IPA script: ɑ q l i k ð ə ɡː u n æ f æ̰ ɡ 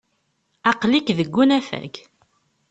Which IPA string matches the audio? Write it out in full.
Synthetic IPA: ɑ q l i k ð ə ɡː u n æ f æ̰ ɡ

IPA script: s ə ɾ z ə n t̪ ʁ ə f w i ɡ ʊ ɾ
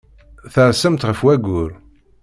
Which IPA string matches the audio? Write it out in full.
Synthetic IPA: θ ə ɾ s ə m t̪ ʁ ə f w æ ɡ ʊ ɾ

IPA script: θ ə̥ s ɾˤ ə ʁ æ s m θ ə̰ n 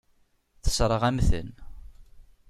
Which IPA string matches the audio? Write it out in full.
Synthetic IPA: θ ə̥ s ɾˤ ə ʁ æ m θ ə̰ n

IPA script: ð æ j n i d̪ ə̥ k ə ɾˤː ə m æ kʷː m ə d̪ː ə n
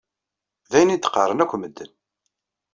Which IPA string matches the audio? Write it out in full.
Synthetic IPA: ð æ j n i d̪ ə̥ q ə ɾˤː ə n æ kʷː m ə d̪ː ə n

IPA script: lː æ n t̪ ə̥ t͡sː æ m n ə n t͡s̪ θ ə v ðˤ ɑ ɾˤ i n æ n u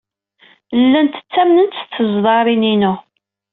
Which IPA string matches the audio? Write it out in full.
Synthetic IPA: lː æ n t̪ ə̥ t͡sː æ m n ə n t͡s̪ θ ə z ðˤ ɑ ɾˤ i n i n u

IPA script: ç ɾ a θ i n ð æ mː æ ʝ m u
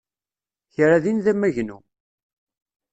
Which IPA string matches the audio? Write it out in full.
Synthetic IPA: ç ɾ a ð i n ð æ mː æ ʝ n u

